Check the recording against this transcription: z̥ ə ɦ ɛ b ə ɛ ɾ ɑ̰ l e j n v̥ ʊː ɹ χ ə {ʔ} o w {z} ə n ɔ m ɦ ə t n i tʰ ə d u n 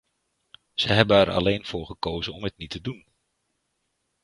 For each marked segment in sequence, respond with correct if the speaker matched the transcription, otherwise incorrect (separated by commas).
incorrect, correct